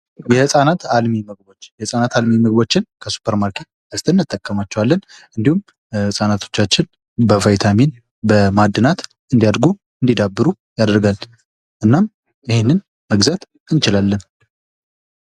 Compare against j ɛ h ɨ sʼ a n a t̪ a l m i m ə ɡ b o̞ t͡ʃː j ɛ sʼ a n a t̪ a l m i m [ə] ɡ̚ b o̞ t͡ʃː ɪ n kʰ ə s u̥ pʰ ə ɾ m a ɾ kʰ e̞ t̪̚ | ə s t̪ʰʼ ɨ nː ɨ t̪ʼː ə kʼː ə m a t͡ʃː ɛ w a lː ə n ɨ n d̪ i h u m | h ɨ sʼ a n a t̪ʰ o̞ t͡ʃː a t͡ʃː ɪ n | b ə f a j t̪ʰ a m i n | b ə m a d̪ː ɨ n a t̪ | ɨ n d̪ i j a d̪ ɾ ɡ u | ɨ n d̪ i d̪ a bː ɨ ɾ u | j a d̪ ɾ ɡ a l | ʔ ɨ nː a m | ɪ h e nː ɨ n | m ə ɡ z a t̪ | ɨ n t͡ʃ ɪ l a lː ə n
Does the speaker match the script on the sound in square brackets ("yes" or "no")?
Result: yes